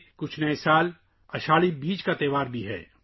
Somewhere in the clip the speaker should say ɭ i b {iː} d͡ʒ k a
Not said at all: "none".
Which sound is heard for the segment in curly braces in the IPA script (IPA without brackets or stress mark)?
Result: iː